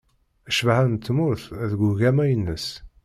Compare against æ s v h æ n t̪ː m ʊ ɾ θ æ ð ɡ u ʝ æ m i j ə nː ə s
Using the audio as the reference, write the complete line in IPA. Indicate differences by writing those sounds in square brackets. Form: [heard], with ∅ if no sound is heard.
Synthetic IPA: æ [ʃ] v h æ n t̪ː m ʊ ɾ θ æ ð ɡ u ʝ æ m [æ] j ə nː ə s